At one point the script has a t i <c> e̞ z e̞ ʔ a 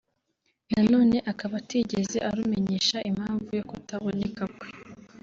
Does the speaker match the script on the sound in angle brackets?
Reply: no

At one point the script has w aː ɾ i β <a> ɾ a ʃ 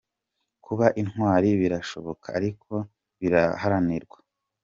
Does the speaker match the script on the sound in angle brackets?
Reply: no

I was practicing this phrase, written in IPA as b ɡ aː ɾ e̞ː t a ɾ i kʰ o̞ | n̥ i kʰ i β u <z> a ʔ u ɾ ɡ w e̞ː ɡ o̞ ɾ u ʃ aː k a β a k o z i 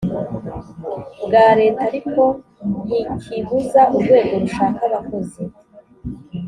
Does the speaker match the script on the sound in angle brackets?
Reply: yes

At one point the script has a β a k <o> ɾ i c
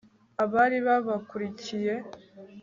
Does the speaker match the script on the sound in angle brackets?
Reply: no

